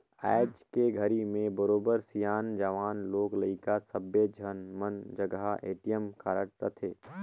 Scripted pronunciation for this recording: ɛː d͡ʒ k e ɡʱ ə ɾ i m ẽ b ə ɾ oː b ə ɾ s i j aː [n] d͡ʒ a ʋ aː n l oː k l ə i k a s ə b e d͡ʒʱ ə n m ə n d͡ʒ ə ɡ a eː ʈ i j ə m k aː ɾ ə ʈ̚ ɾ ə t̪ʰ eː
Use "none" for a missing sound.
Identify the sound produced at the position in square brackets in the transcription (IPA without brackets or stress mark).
n